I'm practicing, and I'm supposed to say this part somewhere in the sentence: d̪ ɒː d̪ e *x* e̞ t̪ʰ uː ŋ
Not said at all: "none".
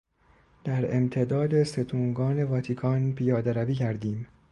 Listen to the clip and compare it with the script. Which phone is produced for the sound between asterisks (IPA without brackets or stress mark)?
s